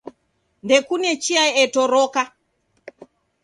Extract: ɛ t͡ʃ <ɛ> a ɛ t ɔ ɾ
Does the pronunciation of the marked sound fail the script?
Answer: yes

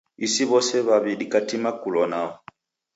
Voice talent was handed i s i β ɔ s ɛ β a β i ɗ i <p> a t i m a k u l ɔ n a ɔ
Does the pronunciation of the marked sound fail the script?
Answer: yes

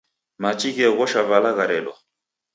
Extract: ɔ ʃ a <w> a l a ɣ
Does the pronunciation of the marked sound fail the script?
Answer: yes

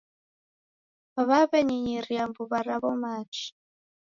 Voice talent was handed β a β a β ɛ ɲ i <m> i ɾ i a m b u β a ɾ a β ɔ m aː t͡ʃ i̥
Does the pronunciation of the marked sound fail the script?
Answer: yes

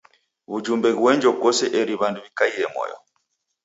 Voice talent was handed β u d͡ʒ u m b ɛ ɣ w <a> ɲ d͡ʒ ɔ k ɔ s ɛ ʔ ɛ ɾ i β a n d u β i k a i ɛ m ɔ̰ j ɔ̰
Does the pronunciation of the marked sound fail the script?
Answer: yes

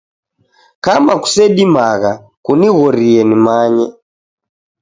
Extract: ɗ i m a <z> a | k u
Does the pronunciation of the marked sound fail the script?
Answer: yes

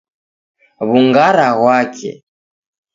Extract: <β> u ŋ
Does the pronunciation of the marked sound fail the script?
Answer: no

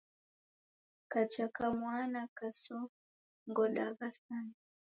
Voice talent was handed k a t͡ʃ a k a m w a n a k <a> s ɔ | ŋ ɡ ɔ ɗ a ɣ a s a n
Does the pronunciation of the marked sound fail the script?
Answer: no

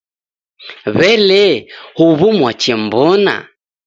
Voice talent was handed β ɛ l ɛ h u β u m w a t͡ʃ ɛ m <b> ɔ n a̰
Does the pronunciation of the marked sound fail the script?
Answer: no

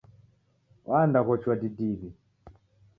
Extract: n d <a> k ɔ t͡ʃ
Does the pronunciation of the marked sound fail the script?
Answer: no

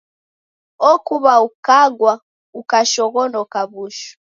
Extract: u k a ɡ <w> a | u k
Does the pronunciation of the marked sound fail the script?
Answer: no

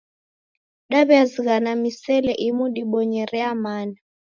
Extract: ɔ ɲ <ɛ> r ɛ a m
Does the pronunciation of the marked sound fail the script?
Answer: no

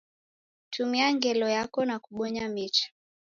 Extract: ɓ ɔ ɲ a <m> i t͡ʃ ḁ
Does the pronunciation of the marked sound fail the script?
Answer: no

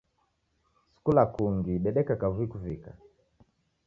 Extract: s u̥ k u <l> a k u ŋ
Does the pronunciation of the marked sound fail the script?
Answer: no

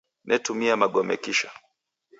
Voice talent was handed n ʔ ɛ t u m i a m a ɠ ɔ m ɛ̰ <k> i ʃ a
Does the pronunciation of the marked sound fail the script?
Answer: no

